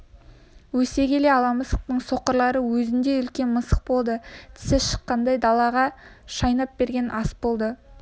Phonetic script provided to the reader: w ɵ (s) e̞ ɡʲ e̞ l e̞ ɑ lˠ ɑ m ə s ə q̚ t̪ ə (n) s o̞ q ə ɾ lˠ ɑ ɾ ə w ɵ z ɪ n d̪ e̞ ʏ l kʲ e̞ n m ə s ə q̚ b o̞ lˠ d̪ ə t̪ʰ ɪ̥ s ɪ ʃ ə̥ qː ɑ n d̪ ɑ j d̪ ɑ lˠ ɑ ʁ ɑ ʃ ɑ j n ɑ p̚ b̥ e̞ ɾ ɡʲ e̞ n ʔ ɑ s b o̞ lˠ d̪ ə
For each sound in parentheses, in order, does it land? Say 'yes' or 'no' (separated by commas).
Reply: yes, no